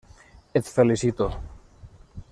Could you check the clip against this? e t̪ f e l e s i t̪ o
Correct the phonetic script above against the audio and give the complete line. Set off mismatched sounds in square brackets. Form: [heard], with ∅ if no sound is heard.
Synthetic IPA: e t̪ f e l [i] s i t̪ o